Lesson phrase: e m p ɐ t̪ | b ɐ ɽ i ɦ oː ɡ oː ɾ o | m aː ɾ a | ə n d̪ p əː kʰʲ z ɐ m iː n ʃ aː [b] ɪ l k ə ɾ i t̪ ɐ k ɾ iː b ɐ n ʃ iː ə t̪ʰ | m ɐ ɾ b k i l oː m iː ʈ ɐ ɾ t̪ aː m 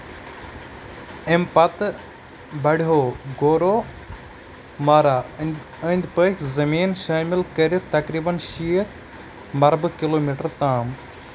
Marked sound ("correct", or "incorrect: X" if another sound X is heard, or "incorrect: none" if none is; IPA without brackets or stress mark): incorrect: m